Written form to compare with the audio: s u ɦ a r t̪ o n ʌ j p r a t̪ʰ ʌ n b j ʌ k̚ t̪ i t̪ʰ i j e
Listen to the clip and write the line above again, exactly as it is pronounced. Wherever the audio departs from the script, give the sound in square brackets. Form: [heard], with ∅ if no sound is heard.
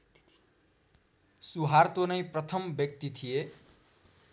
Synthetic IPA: s u ɦ a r t̪ o n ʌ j p r [ʌ] t̪ʰ ʌ [m] b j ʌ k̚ t̪ i t̪ʰ i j e